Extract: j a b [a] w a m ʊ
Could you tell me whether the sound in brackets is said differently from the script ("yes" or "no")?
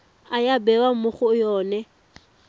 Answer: yes